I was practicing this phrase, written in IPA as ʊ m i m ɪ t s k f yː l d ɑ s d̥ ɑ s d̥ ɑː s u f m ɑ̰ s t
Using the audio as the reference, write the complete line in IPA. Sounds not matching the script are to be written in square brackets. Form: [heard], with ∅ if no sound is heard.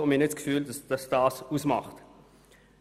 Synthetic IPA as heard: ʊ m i [n] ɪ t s k f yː l d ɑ s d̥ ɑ s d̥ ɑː s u [s] m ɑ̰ [χ] t